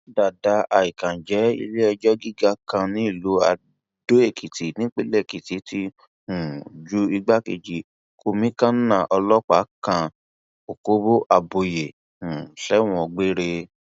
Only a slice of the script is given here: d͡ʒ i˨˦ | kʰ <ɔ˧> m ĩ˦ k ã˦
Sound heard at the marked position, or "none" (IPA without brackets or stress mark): o˧